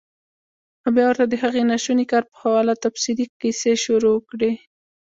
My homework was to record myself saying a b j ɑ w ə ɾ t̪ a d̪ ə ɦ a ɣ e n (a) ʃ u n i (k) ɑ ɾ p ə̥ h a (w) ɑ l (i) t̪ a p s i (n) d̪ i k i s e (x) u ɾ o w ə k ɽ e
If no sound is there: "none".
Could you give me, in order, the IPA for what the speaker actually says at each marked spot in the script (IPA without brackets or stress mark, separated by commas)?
a, k, w, a, none, ʃ